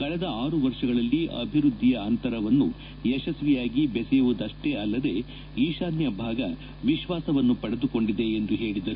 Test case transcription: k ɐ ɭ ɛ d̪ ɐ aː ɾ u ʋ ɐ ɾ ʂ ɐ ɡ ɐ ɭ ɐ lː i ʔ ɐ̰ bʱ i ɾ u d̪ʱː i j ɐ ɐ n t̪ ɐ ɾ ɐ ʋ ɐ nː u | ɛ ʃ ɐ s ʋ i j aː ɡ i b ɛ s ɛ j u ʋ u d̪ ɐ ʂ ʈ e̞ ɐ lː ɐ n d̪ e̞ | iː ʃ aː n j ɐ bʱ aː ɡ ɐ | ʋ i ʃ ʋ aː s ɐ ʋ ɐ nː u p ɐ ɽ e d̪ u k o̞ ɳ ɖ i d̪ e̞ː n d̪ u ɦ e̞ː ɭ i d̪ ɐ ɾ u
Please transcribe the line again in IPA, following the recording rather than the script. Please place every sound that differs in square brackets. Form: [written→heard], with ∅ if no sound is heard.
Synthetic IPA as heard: k ɐ ɭ ɛ d̪ ɐ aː ɾ u ʋ ɐ ɾ ʂ ɐ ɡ ɐ ɭ ɐ lː i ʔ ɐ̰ bʱ i ɾ u d̪ʱː i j ɐ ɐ n t̪ ɐ ɾ ɐ ʋ ɐ nː u | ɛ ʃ ɐ s ʋ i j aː ɡ i b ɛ s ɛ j u ʋ u d̪ ɐ ʂ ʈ e̞ ɐ lː ɐ [n→∅] d̪ e̞ | iː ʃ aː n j ɐ bʱ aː ɡ ɐ | ʋ i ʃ ʋ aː s ɐ ʋ ɐ nː u p ɐ ɽ e d̪ u k o̞ ɳ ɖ i d̪ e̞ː n d̪ u ɦ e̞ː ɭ i d̪ ɐ ɾ u